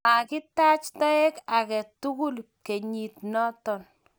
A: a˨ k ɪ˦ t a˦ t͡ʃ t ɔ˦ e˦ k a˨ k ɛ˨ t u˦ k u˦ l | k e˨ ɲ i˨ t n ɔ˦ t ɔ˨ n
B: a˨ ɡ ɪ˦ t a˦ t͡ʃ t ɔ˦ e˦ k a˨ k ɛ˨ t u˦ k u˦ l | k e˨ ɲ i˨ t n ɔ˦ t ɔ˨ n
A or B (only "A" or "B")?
A